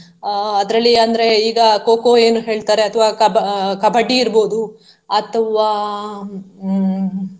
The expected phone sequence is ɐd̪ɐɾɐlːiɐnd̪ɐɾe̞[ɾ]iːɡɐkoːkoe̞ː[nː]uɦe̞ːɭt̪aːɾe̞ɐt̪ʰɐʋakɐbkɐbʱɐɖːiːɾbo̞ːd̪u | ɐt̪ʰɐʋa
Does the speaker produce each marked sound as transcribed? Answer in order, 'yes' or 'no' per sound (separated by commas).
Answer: no, no